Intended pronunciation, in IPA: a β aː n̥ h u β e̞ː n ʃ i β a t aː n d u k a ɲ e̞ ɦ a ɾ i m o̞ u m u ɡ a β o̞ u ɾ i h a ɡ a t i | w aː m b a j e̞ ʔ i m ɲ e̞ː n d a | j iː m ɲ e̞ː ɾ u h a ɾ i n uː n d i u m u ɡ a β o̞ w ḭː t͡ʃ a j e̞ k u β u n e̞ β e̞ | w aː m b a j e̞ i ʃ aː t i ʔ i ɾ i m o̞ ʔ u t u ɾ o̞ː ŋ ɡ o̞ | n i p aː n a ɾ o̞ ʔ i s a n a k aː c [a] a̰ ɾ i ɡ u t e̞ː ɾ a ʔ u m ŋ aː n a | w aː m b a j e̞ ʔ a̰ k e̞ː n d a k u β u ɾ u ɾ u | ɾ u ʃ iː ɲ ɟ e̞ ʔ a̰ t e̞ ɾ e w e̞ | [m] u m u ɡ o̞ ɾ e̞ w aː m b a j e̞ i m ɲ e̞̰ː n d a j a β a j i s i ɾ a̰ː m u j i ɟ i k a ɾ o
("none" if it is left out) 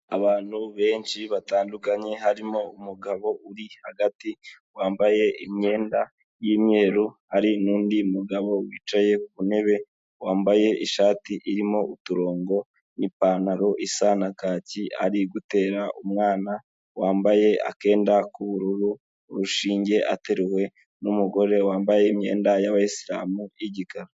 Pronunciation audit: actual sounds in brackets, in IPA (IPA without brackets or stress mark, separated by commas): i, n